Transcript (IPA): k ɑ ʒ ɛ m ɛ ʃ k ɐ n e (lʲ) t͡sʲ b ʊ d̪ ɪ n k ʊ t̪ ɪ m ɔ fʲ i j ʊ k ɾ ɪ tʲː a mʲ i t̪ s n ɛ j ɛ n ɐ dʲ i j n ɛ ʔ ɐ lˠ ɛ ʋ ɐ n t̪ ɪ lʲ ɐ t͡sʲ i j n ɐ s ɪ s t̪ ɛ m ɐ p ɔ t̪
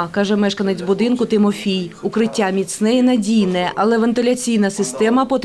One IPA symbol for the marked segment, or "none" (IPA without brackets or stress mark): none